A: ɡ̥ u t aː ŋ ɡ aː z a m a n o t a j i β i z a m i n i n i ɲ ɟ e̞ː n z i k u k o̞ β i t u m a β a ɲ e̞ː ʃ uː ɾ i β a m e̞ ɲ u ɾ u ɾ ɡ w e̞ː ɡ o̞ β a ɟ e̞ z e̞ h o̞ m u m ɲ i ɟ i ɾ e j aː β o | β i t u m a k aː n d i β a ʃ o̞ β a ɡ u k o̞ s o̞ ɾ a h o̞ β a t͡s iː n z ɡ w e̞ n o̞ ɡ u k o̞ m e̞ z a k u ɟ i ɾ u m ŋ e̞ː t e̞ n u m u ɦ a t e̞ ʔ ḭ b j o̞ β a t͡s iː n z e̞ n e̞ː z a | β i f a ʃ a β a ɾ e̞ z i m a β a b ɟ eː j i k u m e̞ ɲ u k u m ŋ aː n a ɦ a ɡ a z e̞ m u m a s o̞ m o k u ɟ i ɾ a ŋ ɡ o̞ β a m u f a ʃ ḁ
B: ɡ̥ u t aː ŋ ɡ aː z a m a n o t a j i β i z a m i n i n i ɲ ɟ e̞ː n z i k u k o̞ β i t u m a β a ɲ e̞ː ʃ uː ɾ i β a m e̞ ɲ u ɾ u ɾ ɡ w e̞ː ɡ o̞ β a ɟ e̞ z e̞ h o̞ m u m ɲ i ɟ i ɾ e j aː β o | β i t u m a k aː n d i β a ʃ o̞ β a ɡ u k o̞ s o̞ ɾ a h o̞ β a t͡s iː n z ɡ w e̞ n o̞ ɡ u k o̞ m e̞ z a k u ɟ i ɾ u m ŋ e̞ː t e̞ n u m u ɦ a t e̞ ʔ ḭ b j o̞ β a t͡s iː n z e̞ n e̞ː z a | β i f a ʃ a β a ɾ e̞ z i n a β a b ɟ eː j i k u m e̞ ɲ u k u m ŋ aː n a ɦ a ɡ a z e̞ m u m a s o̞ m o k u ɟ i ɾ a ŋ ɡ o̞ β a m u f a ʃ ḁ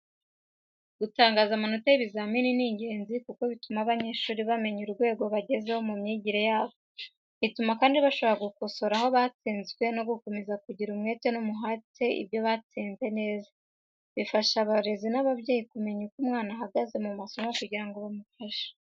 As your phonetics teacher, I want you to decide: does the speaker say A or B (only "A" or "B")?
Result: B